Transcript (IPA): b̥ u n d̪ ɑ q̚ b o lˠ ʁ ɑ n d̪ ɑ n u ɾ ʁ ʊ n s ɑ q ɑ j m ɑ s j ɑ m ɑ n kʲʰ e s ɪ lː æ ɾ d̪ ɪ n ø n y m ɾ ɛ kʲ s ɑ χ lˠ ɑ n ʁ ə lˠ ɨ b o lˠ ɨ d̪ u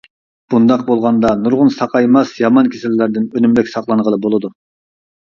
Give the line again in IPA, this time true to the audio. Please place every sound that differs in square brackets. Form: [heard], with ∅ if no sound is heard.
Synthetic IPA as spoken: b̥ u n d̪ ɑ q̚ b o lˠ ʁ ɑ n d̪ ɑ n u ɾ ʁ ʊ n s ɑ q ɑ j m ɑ s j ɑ m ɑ n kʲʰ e s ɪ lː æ ɾ d̪ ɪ n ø n y m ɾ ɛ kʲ s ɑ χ lˠ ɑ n ʁ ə lˠ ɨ b o lˠ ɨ d̪ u